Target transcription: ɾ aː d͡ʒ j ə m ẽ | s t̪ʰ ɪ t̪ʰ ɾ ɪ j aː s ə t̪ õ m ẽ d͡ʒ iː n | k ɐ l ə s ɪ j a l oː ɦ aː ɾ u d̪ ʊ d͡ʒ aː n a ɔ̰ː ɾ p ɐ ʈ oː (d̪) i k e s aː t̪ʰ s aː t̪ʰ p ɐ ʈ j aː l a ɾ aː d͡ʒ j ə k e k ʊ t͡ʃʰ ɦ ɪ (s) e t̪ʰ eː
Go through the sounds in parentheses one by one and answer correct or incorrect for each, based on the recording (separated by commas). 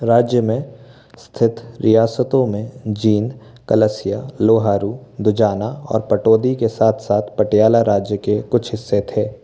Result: correct, incorrect